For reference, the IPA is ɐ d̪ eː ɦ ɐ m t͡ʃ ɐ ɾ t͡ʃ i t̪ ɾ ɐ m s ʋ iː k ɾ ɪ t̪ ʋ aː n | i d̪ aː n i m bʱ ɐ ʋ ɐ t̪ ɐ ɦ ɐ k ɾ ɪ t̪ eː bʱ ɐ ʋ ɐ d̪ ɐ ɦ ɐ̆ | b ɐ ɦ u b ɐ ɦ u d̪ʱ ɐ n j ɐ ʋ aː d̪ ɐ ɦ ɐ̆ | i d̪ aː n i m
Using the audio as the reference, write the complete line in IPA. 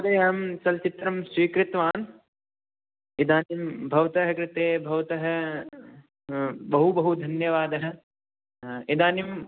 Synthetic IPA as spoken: ɐ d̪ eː ɦ ɐ m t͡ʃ ɐ l t͡ʃ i t̪ ɾ ɐ m s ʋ iː k ɾ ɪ t̪ ʋ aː n | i d̪ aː n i m bʱ ɐ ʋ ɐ t̪ ɐ ɦ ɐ k ɾ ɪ t̪ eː bʱ ɐ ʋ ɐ t̪ ɐ ɦ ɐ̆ | b ɐ ɦ u b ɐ ɦ u d̪ʱ ɐ n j ɐ ʋ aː d̪ ɐ ɦ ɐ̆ | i d̪ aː n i m